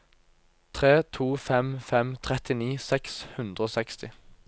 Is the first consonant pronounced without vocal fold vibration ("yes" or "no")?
yes